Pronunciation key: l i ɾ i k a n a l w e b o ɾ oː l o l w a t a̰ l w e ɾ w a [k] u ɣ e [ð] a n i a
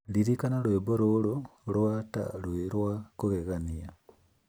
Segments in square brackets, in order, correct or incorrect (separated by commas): correct, incorrect